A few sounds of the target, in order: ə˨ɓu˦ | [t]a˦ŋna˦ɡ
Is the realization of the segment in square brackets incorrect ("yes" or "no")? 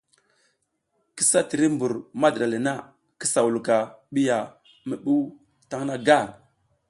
no